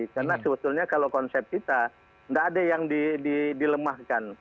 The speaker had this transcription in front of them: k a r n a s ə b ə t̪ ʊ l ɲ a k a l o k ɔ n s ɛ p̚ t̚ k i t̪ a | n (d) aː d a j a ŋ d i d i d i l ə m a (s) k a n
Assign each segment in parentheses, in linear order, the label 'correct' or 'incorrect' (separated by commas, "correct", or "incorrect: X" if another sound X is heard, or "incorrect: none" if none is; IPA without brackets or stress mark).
correct, incorrect: h